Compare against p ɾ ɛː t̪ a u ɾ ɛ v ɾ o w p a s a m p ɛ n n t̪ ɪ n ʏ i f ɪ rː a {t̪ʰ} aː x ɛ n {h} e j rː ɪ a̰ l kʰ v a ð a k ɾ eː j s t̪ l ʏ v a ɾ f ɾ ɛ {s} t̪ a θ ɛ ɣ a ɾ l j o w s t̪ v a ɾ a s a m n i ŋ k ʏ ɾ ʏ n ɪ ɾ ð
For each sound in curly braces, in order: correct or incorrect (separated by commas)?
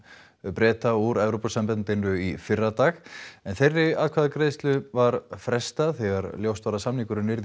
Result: incorrect, incorrect, correct